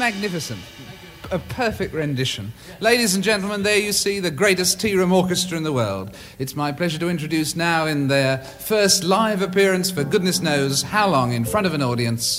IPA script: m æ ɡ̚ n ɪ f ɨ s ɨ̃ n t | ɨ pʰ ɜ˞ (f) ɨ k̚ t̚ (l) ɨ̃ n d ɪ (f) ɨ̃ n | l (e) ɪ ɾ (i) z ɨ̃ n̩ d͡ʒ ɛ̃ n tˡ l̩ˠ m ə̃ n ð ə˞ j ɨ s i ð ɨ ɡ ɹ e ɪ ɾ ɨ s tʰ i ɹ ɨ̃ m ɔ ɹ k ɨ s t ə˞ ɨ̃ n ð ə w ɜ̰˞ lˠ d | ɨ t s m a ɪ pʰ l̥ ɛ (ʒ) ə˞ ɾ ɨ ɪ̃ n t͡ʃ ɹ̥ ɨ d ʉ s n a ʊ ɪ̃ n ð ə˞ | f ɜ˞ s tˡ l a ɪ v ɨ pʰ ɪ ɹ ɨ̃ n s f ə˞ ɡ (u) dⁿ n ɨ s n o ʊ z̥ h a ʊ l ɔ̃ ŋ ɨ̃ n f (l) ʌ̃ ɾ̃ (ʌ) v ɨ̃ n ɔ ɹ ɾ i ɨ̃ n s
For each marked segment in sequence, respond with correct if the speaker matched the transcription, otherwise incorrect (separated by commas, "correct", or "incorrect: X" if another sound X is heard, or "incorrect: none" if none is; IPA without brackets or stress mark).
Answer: correct, incorrect: ɹ, incorrect: ʃ, correct, correct, correct, incorrect: ʊ, incorrect: ɹ, correct